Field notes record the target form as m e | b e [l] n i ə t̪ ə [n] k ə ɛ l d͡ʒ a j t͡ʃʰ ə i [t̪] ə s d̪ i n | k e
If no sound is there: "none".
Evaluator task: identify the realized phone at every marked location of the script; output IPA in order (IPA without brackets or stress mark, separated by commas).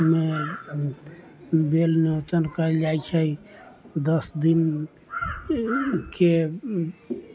l, n, d̪